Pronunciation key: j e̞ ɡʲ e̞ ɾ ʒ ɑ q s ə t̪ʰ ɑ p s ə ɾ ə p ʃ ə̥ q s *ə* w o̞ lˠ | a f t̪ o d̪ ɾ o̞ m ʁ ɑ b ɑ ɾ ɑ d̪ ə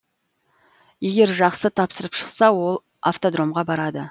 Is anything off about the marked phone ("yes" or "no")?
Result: yes